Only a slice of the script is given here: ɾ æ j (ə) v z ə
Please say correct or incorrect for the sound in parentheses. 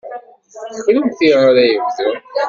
correct